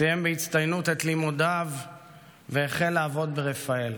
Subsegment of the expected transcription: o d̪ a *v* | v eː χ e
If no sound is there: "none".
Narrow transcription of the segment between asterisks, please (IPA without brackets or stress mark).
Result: v